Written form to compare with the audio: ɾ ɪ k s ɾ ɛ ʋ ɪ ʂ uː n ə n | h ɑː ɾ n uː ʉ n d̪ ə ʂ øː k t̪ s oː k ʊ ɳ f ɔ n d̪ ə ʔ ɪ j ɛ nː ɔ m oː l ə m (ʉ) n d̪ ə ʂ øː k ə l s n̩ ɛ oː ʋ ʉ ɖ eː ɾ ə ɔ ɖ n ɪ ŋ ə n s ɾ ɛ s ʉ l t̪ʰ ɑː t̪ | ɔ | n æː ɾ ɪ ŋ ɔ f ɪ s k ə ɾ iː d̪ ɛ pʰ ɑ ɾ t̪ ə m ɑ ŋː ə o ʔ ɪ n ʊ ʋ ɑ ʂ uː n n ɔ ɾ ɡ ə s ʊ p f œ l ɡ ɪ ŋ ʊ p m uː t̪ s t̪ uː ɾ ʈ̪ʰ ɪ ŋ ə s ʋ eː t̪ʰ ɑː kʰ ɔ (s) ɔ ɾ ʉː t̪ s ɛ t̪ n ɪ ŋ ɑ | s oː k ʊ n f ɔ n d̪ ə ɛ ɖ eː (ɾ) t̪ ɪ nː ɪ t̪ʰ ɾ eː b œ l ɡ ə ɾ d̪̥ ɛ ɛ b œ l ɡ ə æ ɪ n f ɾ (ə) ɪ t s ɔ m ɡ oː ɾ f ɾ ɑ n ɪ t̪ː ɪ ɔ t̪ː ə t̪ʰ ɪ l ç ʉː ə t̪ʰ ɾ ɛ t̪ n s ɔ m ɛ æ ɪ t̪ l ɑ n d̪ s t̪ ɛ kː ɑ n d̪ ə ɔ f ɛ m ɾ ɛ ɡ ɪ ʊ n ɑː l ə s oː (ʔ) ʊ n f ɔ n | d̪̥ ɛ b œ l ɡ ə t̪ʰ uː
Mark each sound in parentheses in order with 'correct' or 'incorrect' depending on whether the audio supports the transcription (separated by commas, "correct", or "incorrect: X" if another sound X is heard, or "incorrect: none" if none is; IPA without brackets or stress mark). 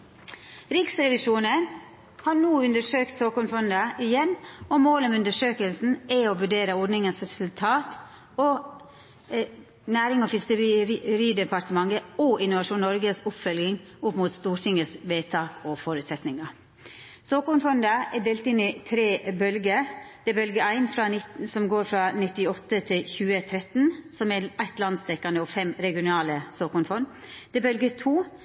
correct, incorrect: f, incorrect: l, incorrect: ɑ, incorrect: k